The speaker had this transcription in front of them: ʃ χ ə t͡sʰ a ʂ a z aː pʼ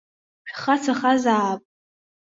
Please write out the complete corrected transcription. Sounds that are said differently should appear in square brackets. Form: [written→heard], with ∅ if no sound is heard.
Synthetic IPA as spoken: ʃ χ [ə→a] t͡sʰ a [ʂ→χ] a z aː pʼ